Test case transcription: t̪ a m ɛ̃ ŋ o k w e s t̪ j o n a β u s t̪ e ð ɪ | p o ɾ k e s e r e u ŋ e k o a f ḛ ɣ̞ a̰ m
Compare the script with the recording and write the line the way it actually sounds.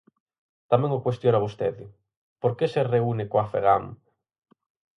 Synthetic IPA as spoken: t̪ a m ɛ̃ ŋ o k w e s t̪ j o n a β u s t̪ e ð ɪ | p o ɾ k e s e r e u n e k o a f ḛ ɣ̞ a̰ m